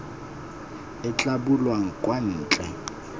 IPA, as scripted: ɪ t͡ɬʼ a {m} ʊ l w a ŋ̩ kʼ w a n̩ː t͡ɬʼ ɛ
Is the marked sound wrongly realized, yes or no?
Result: yes